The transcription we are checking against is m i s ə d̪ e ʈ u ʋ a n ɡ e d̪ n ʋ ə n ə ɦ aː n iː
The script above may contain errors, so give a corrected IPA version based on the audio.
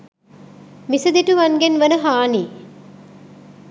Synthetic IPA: m i s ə d̪ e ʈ u ʋ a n ɡ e n ʋ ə n ə ɦ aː n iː